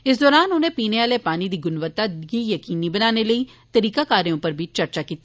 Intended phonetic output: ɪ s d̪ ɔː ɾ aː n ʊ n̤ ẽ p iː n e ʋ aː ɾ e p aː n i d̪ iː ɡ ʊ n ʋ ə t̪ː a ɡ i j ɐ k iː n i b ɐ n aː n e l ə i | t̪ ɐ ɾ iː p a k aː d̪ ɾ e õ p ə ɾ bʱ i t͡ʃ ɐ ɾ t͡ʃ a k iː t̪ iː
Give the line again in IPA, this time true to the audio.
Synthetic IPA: ɪ s d̪ ɔː ɾ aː n ʊ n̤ ẽ p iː n e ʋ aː l e p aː n i d̪ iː ɡ ʊ n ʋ ə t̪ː a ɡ i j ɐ k iː n i b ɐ n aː n e l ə i | t̪ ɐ ɾ iː k a k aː ɾ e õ p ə ɾ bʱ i t͡ʃ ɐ ɾ t͡ʃ a k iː t̪ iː